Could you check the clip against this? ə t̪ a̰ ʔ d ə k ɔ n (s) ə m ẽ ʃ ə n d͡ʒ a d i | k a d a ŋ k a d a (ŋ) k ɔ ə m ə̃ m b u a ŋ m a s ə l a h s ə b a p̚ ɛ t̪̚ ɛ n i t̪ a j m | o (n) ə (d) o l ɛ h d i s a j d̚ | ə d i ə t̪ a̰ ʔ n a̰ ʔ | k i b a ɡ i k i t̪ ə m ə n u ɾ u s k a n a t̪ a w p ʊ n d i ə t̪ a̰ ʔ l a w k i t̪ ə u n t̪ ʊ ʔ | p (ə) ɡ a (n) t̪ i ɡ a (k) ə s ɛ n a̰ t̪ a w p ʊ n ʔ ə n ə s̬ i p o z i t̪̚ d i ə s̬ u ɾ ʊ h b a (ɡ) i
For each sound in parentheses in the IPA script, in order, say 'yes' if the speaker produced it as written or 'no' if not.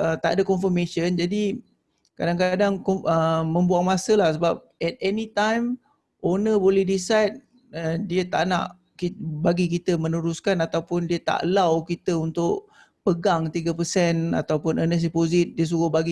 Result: no, yes, yes, no, yes, no, no, yes

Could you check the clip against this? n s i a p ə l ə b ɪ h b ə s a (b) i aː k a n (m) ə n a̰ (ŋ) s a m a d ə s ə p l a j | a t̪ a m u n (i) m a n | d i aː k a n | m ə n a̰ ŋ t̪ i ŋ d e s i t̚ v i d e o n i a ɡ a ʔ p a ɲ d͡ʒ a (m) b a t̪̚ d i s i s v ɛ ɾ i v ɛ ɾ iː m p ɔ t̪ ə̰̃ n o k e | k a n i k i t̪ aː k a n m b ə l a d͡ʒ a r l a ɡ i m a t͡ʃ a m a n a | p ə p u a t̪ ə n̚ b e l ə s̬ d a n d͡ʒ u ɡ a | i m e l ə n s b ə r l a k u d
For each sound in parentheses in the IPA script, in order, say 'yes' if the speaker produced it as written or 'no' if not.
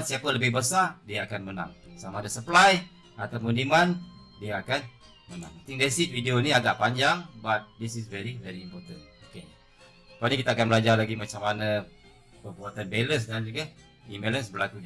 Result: no, yes, yes, yes, no

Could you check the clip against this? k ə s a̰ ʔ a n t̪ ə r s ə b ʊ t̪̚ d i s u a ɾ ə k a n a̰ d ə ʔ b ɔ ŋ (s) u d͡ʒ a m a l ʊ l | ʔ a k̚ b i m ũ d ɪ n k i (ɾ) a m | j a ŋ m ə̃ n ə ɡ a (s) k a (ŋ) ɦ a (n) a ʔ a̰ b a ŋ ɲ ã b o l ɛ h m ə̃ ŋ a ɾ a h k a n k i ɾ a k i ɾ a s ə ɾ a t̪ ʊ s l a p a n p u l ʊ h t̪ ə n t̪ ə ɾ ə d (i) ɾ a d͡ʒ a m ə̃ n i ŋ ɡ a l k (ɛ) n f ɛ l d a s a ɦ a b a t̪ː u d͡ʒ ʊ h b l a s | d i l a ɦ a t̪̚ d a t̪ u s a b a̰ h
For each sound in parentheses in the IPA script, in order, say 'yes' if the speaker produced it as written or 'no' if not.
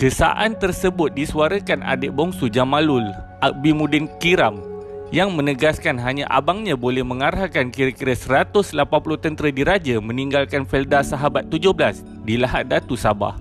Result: yes, yes, yes, no, no, yes, no

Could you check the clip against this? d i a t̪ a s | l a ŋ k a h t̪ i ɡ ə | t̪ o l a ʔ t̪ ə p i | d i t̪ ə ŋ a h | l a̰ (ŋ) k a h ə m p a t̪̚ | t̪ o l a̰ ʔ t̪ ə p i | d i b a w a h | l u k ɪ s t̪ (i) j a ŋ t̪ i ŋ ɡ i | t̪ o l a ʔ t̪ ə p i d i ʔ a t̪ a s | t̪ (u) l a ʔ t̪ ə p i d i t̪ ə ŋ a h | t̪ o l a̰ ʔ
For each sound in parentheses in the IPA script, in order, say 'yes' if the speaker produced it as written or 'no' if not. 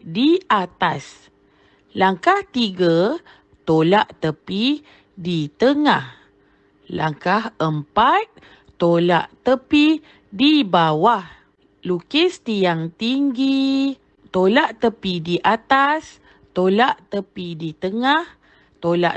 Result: yes, yes, no

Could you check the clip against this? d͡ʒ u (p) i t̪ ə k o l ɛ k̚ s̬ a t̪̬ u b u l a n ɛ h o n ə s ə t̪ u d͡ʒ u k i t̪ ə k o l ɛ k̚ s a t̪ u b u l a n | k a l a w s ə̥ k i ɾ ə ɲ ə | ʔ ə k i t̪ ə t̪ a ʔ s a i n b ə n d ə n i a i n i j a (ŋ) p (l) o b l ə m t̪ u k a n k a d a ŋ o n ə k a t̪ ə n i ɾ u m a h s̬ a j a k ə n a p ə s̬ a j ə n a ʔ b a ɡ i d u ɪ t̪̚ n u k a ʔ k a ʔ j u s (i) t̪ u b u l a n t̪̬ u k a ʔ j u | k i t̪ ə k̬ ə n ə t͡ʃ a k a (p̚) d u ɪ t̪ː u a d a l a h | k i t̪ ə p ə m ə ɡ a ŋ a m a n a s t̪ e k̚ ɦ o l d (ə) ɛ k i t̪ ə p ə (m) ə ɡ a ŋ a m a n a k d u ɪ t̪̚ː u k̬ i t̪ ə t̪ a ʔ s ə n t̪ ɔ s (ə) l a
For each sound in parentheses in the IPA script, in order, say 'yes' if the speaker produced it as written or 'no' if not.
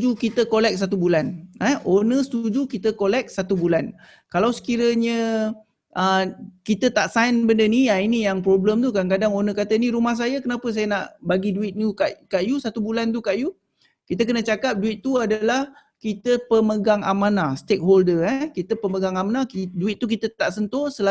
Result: no, yes, no, no, yes, yes, yes, yes

